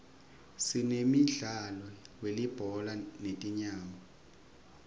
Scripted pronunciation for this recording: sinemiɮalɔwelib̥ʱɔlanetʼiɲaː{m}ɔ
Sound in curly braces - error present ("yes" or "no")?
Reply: no